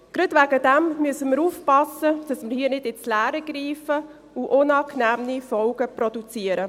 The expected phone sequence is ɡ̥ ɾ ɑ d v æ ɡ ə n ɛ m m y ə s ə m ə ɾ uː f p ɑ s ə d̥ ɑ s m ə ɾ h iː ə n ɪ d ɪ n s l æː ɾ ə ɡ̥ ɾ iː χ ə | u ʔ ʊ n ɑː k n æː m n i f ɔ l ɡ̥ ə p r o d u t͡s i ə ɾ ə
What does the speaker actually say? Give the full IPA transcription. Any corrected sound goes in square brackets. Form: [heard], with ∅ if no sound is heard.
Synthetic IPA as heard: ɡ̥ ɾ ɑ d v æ ɡ ə [d] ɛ m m y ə s ə m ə ɾ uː f p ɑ s ə d̥ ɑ s m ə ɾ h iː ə n ɪ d ɪ n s l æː ɾ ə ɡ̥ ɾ iː [f] ə | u ʔ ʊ n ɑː k n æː m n i f ɔ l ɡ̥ ə p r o d u t͡s i ə ɾ ə